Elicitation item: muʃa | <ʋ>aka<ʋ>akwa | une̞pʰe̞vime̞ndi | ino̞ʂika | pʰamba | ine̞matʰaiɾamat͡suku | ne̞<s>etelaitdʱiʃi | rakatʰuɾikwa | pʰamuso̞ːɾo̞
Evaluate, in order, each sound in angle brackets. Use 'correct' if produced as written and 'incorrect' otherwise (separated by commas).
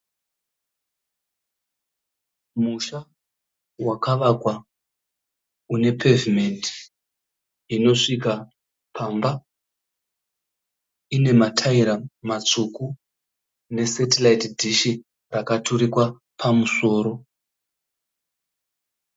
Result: incorrect, correct, correct